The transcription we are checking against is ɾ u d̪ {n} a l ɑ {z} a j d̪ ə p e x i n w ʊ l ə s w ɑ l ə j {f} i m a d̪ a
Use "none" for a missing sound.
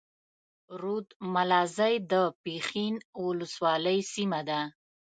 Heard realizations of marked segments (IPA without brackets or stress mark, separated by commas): m, z, s